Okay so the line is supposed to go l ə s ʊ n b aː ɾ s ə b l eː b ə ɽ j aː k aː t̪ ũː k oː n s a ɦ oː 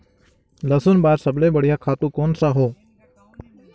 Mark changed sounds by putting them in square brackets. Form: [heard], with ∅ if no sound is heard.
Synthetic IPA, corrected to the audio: l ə s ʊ n b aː ɾ s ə b l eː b ə ɽ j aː [kʰ] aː t̪ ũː k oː n s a ɦ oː